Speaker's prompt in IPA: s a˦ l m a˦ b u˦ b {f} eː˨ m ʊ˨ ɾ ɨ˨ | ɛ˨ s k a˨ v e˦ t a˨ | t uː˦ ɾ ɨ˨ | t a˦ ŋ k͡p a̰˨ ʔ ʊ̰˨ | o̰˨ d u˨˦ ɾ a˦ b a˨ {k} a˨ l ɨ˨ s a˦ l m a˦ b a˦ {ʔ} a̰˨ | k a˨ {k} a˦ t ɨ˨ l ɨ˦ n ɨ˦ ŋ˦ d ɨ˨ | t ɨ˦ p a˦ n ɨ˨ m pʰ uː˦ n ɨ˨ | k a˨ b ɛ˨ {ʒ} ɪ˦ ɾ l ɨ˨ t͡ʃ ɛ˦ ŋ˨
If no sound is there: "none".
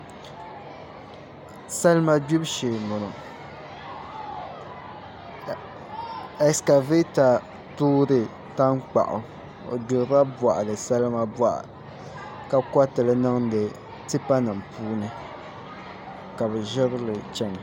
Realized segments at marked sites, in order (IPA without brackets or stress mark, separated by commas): ʃ, ʔ, ʔ, k, ʒ